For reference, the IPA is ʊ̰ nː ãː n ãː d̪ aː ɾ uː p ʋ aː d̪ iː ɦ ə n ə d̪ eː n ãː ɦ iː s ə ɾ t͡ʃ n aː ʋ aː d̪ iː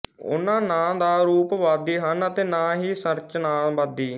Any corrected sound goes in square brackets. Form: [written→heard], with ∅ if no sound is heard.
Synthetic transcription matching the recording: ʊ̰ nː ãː n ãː d̪ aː ɾ uː p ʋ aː d̪ iː ɦ ə n ə [d̪→t̪] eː n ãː ɦ iː s ə ɾ t͡ʃ n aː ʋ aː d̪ iː